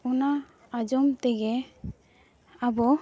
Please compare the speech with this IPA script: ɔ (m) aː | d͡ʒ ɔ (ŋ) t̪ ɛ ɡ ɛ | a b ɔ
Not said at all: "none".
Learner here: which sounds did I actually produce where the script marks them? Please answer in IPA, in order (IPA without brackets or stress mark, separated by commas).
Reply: n, m